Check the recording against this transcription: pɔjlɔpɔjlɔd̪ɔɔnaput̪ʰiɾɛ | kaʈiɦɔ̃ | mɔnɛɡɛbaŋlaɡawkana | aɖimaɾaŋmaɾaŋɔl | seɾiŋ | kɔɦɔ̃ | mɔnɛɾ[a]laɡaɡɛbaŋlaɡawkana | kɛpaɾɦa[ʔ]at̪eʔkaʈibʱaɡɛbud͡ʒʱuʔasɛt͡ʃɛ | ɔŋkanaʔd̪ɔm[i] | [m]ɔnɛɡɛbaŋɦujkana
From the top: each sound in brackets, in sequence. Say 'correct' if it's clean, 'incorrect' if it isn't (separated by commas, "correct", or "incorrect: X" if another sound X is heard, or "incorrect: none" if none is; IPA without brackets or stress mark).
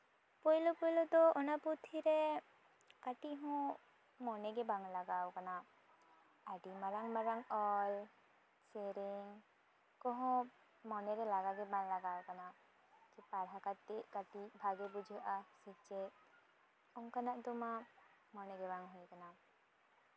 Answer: incorrect: ɛ, incorrect: k, incorrect: a, correct